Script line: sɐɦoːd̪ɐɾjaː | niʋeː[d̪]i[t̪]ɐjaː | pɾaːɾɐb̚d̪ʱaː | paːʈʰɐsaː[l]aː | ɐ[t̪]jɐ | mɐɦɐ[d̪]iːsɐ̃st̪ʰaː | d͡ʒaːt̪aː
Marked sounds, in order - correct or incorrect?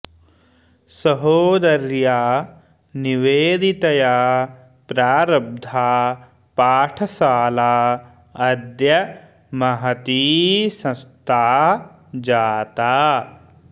correct, correct, correct, incorrect, incorrect

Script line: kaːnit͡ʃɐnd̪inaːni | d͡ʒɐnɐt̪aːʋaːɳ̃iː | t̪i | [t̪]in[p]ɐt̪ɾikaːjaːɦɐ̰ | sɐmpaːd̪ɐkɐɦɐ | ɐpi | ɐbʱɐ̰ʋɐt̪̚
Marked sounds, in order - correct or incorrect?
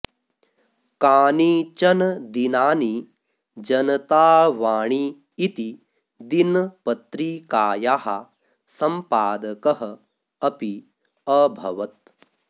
incorrect, correct

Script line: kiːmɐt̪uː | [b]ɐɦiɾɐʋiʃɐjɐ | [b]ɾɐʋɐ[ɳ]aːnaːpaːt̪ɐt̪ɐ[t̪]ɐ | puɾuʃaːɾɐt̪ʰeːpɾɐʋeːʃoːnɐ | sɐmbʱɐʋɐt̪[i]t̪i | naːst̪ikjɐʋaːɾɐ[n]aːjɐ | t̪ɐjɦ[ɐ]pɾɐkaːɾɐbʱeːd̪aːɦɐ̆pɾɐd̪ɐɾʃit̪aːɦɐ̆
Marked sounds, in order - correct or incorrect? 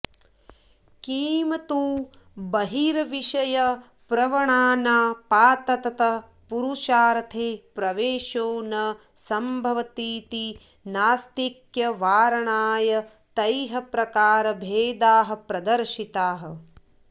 correct, incorrect, correct, correct, incorrect, incorrect, correct

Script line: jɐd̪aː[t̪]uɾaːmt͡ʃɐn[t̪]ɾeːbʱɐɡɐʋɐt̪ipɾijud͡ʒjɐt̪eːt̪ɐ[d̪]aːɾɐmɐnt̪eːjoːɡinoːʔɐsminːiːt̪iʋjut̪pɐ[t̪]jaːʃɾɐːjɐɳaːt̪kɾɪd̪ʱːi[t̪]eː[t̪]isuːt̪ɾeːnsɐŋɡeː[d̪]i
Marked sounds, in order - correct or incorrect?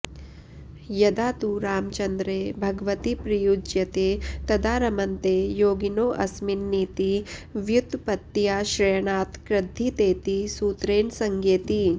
correct, incorrect, correct, correct, correct, correct, incorrect

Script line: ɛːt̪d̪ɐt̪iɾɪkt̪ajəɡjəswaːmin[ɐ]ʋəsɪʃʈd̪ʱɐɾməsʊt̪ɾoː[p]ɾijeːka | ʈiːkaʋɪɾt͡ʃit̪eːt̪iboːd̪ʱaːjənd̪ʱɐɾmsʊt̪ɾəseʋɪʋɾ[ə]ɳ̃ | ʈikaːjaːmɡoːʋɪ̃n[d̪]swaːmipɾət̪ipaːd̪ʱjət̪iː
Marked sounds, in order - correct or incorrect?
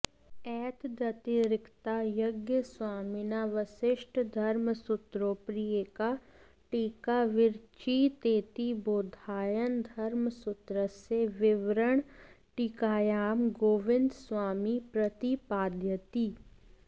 incorrect, correct, correct, correct

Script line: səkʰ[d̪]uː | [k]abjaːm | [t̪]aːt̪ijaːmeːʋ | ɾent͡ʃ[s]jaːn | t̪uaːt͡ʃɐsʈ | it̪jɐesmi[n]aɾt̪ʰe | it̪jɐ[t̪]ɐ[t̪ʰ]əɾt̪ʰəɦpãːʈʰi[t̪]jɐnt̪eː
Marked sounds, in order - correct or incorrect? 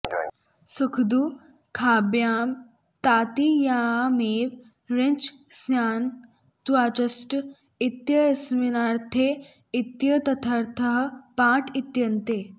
correct, incorrect, correct, correct, correct, correct, correct, correct

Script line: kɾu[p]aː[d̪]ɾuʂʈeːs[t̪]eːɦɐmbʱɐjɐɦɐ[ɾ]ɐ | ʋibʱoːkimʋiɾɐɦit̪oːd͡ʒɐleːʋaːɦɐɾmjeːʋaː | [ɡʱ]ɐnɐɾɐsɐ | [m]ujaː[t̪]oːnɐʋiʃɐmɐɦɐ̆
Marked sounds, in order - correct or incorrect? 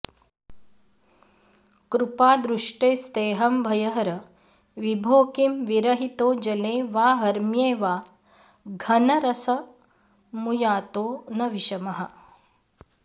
correct, correct, correct, correct, correct, correct, correct

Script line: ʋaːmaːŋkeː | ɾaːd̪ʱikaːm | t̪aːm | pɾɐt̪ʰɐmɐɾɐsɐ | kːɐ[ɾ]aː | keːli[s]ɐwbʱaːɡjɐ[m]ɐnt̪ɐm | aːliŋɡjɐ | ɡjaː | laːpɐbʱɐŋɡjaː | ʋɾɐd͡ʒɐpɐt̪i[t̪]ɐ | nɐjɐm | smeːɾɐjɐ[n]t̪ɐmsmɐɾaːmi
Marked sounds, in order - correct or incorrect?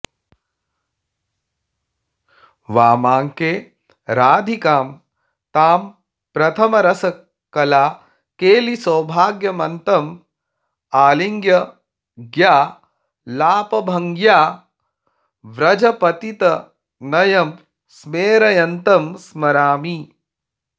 incorrect, correct, correct, correct, correct

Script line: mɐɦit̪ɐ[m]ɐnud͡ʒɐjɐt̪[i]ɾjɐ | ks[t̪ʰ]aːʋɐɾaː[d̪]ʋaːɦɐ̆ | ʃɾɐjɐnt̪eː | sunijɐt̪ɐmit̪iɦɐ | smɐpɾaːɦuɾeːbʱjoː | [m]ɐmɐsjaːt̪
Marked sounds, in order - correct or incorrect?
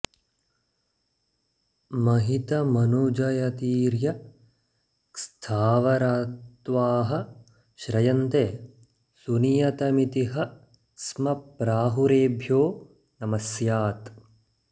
correct, incorrect, correct, incorrect, incorrect

